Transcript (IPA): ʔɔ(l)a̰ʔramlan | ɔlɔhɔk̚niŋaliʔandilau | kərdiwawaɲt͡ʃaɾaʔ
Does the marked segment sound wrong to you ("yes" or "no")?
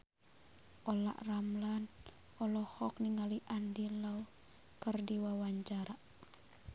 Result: no